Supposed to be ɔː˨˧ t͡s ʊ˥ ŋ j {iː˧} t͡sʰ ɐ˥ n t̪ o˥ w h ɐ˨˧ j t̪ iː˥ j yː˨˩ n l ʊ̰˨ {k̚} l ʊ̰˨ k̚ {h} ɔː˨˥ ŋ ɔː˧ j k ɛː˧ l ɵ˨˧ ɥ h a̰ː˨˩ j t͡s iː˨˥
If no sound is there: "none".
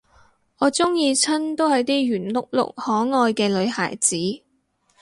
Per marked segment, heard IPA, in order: iː˧, k̚, h

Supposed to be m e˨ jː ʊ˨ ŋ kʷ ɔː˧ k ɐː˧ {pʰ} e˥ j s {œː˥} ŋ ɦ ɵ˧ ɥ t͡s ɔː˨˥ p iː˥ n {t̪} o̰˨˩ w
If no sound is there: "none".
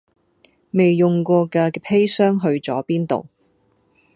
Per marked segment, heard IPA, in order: pʰ, œː˥, t̪

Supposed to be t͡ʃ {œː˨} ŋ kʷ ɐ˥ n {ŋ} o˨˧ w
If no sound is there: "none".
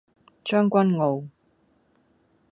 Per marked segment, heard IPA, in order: œː˥, ŋ

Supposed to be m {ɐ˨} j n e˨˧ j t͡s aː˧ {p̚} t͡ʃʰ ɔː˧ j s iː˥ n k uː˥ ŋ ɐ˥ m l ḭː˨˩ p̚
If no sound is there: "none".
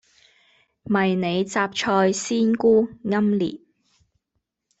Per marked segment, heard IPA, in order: ɐ˨, p̚

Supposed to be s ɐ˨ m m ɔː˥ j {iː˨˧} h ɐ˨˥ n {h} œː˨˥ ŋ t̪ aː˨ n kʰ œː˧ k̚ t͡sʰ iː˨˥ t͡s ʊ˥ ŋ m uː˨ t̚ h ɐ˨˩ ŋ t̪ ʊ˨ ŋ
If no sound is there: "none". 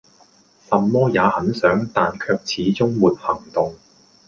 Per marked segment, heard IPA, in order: aː˨˧, s

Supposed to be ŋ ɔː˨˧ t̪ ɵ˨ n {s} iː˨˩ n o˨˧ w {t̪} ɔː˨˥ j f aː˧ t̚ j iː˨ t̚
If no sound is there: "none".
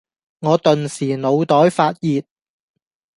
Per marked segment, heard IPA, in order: s, t̪

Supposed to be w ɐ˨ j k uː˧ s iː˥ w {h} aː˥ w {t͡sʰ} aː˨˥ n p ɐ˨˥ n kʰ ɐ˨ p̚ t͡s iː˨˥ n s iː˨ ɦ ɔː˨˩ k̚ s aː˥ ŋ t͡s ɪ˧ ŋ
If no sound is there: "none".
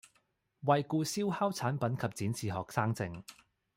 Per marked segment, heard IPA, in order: h, t͡sʰ

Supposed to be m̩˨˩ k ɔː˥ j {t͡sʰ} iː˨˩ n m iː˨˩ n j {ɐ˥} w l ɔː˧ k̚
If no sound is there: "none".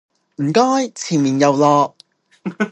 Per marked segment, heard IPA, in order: t͡sʰ, ɐ˨˧

